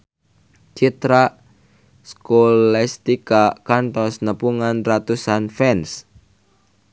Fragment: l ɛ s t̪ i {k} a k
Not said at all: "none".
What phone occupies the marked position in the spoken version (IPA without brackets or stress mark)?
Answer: k